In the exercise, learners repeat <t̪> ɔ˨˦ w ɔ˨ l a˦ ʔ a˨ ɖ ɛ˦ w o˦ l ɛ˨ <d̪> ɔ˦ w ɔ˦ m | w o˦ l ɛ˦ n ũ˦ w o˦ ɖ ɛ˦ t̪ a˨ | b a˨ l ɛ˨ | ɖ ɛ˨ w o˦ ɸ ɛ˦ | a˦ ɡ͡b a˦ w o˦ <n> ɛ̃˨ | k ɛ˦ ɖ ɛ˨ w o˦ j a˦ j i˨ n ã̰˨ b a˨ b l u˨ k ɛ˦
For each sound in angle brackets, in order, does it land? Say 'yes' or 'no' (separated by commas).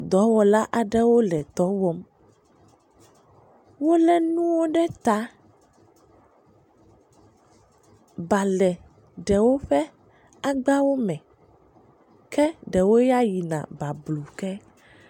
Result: no, no, no